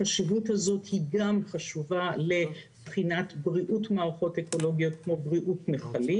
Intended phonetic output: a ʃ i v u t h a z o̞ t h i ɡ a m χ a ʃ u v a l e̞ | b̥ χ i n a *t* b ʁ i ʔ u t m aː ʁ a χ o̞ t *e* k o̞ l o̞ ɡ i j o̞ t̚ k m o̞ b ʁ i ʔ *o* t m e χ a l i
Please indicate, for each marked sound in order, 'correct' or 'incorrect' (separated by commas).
correct, correct, incorrect